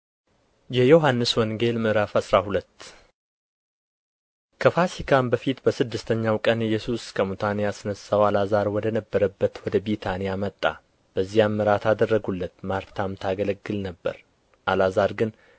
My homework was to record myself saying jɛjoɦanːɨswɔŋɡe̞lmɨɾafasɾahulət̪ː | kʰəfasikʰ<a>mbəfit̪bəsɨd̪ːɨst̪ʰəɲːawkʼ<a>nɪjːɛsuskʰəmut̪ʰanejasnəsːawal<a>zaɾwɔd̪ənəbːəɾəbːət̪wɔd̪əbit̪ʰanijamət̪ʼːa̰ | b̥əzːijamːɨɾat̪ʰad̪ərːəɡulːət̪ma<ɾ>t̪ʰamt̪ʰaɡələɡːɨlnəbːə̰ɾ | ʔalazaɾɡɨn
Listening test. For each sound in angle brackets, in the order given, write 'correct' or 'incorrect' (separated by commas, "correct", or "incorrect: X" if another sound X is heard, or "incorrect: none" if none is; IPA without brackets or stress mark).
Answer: correct, incorrect: ə, correct, correct